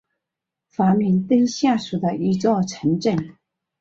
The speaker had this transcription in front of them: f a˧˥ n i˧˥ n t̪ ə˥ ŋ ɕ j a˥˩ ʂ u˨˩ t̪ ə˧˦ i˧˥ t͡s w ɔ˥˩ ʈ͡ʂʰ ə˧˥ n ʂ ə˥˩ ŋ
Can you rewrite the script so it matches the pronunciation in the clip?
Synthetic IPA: f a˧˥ m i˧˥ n t̪ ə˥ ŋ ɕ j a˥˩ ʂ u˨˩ d̪ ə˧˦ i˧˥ t͡s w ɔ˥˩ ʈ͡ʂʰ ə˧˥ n ʈ͡ʂ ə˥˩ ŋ